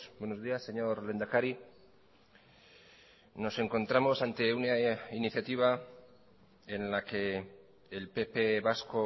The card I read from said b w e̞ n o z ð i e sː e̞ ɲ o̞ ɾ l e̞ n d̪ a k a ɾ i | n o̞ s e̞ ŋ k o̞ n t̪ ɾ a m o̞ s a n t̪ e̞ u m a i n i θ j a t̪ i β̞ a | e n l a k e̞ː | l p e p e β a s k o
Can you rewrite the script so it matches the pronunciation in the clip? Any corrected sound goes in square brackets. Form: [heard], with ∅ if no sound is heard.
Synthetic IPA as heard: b w e̞ n o z ð i [a] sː e̞ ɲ o̞ ɾ l e̞ n d̪ a k a ɾ i | n o̞ s e̞ ŋ k o̞ n t̪ ɾ a m o̞ s a n t̪ e̞ u [n] a i n i θ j a t̪ i β̞ a | e n l a k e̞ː | l p e p e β a s k o